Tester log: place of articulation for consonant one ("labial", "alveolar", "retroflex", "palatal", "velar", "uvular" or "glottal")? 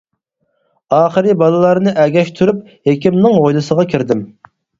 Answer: uvular